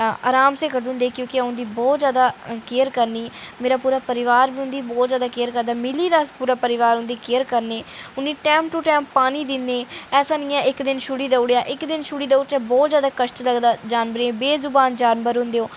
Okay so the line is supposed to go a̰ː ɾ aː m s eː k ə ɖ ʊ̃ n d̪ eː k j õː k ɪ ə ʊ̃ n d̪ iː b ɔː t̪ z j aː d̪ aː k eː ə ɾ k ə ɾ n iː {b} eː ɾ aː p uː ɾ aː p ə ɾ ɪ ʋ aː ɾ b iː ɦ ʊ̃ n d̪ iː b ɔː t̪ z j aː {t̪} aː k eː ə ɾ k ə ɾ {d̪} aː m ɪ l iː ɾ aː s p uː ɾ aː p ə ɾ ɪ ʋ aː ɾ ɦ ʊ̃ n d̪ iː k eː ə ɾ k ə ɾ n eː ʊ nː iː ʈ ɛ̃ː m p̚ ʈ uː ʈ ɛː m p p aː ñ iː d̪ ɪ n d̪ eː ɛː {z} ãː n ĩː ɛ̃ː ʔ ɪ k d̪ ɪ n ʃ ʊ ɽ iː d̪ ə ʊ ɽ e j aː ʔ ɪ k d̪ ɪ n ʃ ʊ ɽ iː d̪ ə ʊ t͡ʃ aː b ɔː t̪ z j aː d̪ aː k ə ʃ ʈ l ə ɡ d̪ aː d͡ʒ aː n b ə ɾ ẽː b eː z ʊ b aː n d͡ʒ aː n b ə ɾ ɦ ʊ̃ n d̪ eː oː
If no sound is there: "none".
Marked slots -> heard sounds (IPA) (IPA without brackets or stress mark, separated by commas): m, d̪, d̪, s